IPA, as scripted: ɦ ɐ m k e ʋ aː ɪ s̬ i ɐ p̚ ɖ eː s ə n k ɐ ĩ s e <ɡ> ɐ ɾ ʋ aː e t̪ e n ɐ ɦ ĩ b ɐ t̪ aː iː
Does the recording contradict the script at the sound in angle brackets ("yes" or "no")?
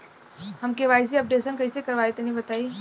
yes